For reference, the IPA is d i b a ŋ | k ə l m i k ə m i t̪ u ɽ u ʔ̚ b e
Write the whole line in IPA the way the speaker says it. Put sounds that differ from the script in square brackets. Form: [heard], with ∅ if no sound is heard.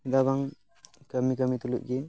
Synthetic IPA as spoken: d [a] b a ŋ | k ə [∅] m i k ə m i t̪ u [l] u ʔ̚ [ɡ] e